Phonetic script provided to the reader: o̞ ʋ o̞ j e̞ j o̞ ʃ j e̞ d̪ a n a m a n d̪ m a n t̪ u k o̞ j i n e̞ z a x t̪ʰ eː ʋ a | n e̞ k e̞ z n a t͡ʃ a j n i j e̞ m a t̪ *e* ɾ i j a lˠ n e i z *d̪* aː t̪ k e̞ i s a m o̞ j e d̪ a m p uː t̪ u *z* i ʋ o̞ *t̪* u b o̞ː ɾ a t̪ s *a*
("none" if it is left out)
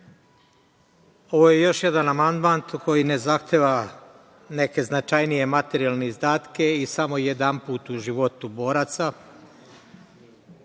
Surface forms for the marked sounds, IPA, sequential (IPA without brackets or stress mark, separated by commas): e, d̪, ʒ, t̪, a